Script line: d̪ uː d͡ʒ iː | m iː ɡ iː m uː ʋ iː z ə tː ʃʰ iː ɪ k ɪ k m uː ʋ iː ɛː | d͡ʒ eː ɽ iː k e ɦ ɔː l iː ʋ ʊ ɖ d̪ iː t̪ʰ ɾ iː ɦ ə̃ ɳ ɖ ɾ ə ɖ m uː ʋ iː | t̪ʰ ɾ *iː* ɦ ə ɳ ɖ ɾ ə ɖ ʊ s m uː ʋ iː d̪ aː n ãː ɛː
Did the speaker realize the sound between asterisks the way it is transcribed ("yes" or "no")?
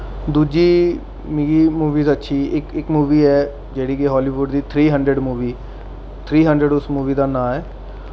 yes